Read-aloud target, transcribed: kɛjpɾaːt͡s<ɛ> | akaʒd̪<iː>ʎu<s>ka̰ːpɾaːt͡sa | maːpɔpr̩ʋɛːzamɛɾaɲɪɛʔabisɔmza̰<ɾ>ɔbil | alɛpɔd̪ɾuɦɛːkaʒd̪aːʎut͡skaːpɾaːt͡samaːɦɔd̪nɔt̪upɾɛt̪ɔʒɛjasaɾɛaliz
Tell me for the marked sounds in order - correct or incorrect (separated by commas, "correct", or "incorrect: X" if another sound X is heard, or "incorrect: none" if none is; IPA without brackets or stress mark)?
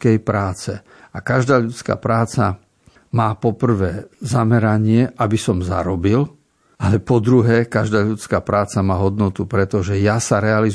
correct, incorrect: aː, incorrect: t͡s, correct